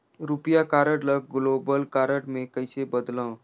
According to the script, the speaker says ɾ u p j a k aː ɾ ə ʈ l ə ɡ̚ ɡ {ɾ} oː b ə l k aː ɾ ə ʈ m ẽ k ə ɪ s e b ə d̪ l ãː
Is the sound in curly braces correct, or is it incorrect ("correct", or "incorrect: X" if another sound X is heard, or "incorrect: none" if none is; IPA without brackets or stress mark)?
incorrect: l